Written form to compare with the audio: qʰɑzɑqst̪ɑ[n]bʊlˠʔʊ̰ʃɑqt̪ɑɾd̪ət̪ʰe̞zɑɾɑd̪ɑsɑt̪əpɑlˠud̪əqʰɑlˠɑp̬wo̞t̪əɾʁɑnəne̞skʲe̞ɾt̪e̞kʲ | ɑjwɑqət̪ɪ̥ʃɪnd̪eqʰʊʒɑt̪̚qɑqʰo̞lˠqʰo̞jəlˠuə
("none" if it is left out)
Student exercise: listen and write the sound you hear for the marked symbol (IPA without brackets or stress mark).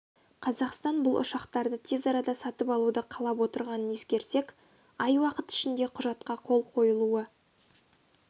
n